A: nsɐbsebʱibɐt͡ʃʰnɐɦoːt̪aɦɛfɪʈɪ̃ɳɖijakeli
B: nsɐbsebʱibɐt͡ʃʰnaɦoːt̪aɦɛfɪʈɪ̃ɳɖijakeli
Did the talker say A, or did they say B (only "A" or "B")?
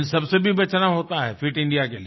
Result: B